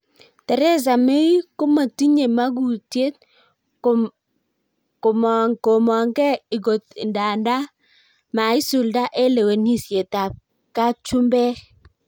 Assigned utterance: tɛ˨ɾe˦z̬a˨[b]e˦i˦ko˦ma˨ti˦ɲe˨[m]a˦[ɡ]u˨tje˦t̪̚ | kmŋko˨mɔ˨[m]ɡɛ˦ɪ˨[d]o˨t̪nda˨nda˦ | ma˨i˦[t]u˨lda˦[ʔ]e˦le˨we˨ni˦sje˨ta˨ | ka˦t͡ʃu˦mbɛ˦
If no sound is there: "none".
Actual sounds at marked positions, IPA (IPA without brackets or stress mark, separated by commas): m, m, ɡ, ŋ, ɡ, s, ʔ